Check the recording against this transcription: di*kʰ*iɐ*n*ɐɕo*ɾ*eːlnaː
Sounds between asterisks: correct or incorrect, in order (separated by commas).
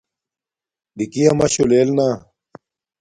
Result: incorrect, incorrect, incorrect